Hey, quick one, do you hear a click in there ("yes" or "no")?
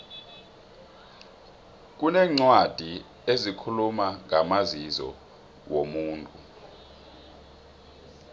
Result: yes